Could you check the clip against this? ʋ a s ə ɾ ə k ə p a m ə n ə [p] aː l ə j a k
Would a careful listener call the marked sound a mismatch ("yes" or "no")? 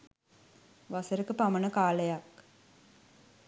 yes